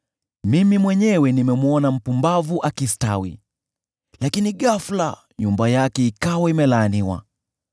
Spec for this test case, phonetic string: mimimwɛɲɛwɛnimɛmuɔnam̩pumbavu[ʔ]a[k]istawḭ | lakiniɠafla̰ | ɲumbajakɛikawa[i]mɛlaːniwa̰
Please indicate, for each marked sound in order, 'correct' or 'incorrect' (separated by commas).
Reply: correct, correct, correct